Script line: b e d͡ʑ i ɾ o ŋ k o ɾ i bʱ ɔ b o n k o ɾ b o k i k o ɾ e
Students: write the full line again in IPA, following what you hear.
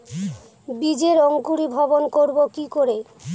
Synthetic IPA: b i d͡ʑ e ɾ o ŋ k u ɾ i bʱ ɔ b o n k o ɾ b o k i k o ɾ e